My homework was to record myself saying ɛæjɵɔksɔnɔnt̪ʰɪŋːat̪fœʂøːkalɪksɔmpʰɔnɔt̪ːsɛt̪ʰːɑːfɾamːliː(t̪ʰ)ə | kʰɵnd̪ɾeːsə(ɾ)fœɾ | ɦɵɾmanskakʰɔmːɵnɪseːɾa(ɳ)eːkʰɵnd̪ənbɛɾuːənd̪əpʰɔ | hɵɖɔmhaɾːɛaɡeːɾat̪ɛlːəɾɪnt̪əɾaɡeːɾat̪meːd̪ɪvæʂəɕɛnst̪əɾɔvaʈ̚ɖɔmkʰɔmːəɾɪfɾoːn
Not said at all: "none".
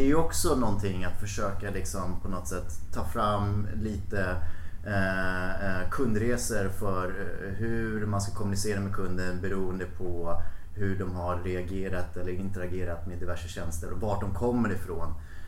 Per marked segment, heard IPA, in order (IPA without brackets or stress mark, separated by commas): t̪, ɾ, m